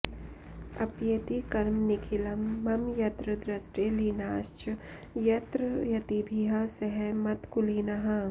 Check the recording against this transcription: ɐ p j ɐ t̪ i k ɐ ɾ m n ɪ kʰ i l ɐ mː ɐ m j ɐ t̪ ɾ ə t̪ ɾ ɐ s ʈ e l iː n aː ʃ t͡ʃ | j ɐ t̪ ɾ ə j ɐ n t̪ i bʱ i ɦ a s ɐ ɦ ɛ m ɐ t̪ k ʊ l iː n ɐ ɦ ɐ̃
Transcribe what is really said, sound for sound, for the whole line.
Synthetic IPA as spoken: ɐ p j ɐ t̪ i k ɐ ɾ m n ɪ kʰ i l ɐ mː ɐ m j ɐ t̪ ɾ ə d̪ ɾ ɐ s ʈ e l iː n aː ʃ t͡ʃ | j ɐ t̪ ɾ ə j ɐ t̪ i bʱ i ɦ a s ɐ ɦ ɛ m ɐ t̪ k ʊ l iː n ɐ ɦ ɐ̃